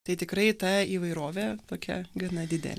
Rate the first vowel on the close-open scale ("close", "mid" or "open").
open